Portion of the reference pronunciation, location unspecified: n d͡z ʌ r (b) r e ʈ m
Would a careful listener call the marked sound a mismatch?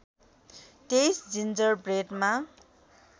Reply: no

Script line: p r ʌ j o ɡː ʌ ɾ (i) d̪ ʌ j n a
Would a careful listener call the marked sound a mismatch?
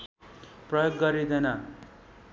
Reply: no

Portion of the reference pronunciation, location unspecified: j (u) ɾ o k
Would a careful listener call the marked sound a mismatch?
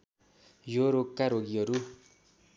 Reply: yes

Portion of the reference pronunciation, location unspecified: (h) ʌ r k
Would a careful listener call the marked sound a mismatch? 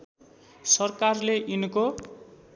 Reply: yes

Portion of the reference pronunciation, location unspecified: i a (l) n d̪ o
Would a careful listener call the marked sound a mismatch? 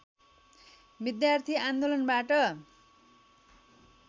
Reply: yes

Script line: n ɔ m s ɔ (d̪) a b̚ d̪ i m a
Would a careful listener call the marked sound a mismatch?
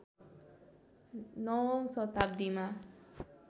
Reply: yes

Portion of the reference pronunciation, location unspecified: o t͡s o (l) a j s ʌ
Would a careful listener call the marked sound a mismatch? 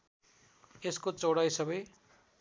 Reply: yes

